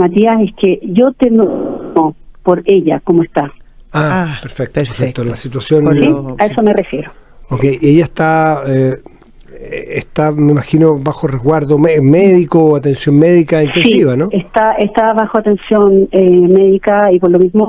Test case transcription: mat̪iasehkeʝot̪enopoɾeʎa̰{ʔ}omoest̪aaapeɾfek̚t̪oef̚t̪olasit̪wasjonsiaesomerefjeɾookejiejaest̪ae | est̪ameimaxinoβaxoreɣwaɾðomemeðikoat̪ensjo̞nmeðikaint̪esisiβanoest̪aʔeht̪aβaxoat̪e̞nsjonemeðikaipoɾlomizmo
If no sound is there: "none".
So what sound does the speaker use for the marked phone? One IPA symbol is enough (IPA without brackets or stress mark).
k